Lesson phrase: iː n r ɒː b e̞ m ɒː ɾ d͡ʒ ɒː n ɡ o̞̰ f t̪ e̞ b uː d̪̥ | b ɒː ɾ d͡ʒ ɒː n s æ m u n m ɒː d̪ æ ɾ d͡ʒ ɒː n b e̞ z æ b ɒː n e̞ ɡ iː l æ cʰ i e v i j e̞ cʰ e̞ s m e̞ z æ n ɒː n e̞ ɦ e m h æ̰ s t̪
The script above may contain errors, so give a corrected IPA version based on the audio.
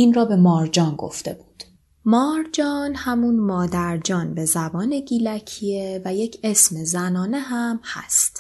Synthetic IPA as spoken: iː n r ɒː b e̞ m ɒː ɾ d͡ʒ ɒː n ɡ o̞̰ f t̪ e̞ b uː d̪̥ | m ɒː ɾ d͡ʒ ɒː n h æ m u n m ɒː d̪ æ ɾ d͡ʒ ɒː n b e̞ z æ b ɒː n e̞ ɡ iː l æ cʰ i e v æ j e̞ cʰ e̞ s m e̞ z æ n ɒː n e̞ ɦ æ m h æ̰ s t̪